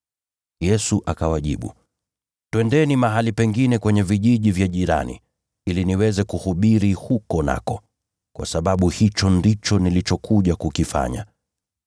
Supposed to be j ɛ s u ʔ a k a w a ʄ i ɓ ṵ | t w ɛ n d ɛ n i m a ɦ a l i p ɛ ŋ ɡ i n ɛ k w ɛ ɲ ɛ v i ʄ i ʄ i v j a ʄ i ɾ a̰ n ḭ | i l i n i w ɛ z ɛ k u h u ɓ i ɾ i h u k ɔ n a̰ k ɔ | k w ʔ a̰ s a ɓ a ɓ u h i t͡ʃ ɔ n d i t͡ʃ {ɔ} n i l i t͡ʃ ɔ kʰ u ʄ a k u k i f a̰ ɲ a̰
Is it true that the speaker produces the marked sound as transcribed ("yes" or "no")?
yes